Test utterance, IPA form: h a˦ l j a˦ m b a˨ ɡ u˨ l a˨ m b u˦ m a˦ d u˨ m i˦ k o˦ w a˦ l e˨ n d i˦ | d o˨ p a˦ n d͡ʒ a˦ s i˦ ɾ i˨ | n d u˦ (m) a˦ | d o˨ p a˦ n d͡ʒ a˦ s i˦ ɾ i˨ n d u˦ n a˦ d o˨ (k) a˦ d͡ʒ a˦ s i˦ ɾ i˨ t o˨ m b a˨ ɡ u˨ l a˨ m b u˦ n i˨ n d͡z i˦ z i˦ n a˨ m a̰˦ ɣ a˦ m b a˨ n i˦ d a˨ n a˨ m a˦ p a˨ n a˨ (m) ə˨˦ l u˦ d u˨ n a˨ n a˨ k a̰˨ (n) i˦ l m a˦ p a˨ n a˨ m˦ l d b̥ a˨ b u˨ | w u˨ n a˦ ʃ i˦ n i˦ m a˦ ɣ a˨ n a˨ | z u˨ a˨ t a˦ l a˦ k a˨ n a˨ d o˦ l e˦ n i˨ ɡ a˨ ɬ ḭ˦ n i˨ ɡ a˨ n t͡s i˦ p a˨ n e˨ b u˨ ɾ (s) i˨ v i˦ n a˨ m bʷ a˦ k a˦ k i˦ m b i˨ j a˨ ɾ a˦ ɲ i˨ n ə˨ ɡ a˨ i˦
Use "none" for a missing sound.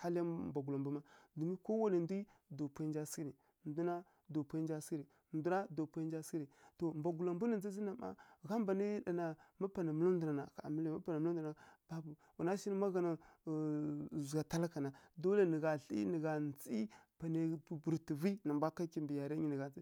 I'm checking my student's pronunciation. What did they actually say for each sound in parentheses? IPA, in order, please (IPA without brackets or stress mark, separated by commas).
n, p, m, m, t